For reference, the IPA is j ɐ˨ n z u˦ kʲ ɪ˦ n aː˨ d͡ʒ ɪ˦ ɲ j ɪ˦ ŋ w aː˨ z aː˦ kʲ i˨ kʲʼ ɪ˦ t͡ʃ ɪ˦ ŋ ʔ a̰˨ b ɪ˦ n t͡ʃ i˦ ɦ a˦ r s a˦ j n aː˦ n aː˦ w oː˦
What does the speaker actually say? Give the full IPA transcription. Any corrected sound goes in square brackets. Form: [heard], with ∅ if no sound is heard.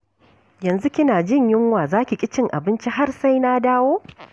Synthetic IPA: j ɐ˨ n z u˦ kʲ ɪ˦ n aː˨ d͡ʒ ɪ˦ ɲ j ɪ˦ ŋ w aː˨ z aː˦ kʲ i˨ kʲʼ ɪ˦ t͡ʃ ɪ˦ ŋ ʔ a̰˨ b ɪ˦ n t͡ʃ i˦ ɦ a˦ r s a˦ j n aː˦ [d] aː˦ w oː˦